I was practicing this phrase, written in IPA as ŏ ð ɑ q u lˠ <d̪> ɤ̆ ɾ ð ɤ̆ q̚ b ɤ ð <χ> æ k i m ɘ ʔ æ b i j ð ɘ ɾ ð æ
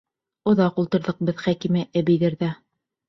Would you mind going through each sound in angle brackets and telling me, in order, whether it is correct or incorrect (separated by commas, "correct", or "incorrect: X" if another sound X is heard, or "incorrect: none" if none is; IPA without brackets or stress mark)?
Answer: incorrect: t̪, correct